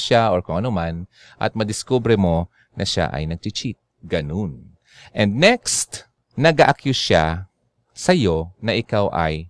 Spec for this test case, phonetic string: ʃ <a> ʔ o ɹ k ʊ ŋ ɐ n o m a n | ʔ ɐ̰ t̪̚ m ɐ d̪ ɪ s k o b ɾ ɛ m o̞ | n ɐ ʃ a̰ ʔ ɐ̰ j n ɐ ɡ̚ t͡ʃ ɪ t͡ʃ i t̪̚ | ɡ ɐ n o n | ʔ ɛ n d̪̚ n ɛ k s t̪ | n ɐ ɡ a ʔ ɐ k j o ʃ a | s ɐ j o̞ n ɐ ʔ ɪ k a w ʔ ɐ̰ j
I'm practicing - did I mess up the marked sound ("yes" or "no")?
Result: no